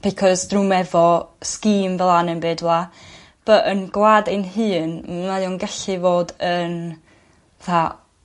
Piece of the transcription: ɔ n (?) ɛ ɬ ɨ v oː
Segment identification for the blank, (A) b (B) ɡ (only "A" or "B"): B